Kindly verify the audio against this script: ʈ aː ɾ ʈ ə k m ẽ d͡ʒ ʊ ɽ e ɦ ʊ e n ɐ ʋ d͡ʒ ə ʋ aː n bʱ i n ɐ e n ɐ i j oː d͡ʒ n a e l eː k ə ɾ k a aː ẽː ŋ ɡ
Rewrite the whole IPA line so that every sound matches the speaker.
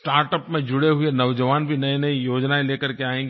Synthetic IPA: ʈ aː ɾ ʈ ə p m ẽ d͡ʒ ʊ ɽ e ɦ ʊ e n ɐ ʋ d͡ʒ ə ʋ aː n bʱ i n ɐ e n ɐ i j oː d͡ʒ n a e l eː k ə ɾ k e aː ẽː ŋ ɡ